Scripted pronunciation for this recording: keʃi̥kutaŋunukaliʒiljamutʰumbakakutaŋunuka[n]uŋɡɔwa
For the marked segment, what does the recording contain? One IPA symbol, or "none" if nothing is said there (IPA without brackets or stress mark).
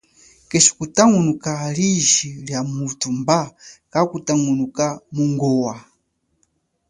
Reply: m